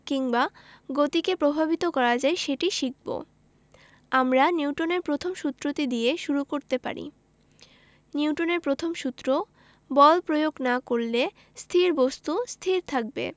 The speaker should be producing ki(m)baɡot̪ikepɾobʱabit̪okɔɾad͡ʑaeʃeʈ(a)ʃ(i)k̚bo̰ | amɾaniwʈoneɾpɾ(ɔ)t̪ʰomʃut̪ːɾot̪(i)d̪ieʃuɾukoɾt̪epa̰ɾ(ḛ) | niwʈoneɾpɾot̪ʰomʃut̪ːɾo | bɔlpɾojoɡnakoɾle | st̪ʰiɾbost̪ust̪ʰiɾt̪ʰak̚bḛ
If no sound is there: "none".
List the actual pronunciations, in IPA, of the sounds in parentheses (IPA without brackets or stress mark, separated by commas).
ŋ, i, i, o, i, ḭ